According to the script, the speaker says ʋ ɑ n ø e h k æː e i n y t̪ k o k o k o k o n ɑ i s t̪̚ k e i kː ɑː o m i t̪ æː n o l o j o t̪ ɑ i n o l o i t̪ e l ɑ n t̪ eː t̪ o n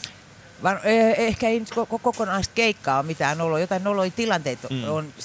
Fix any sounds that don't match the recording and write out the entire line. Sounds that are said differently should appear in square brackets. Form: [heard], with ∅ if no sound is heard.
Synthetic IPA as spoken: ʋ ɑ n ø e h k [æ] e i n y t̪ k o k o k o k o n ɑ i s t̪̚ k e i kː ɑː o m i t̪ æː n o l o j o t̪ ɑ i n o l o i t̪ [i] l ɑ n t̪ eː t̪ o n